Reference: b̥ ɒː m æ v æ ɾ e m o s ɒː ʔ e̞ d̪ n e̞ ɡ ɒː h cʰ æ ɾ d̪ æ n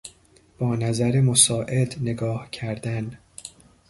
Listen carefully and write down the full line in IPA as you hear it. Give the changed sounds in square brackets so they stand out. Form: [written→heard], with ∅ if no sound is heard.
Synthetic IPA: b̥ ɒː [m→n] æ [v→z] æ ɾ e m o s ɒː ʔ e̞ d̪ n e̞ ɡ ɒː h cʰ æ ɾ d̪ æ n